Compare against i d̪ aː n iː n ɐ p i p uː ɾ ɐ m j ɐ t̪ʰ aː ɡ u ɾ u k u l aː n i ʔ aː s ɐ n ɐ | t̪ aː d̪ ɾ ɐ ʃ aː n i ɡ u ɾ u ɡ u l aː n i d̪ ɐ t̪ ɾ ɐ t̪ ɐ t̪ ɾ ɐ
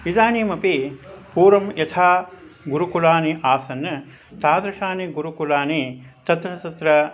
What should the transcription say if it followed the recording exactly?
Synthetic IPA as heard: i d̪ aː n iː m ɐ p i p uː ɾ ɐ m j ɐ t̪ʰ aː ɡ u ɾ u k u l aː n i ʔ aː s ɐ n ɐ | t̪ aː d̪ ɾ ɐ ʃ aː n i ɡ u ɾ u k u l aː n i t̪ ɐ t̪ ɾ ɐ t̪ ɐ t̪ ɾ ɐ